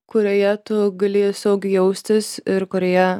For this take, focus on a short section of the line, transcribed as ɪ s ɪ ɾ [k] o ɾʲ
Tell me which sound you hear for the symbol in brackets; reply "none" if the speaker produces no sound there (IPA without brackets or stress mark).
k